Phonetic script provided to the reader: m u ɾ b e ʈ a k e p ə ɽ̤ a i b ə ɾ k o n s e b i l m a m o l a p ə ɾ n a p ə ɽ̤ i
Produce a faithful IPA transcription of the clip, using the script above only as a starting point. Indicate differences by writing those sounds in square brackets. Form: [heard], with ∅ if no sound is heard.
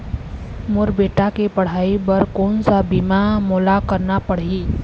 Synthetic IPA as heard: m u ɾ b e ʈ a k e p ə ɽ̤ a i b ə ɾ k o n s [a] b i [∅] m a m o l a [k] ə ɾ n a p ə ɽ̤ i